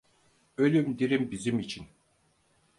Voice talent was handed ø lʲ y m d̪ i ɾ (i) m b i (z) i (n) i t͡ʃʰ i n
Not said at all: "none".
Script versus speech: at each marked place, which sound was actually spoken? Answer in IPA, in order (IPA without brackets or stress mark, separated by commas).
i, z, m